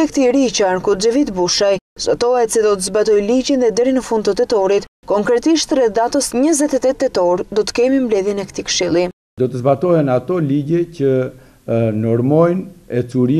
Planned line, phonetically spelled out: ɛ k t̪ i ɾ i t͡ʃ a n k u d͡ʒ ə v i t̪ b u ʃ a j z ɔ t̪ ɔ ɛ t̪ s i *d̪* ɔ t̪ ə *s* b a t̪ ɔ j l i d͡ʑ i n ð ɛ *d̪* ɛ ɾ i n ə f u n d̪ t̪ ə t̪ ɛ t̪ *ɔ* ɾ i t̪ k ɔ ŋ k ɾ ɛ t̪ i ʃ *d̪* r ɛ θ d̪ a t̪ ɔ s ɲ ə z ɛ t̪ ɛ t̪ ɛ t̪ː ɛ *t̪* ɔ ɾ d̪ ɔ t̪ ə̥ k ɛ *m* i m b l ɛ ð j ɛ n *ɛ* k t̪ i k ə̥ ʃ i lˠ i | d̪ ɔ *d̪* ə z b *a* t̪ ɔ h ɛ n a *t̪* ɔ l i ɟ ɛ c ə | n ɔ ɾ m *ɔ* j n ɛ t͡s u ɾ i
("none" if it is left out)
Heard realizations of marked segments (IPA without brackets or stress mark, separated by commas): d̪, z, d̪, ɔ, t̪, t̪, m, ɛ, t̪, a, t̪, ɔ